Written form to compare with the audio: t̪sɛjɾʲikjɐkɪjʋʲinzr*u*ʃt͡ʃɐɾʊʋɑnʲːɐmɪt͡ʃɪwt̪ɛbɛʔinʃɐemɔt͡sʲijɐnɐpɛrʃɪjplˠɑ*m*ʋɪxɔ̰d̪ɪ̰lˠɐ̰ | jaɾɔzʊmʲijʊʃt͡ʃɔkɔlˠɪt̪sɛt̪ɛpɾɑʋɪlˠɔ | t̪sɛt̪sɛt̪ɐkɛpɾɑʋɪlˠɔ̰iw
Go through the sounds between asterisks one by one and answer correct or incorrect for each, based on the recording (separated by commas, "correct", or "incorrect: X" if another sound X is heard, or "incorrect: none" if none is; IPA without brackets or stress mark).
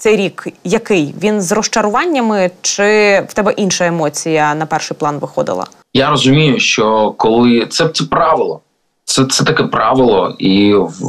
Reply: incorrect: ɔ, incorrect: n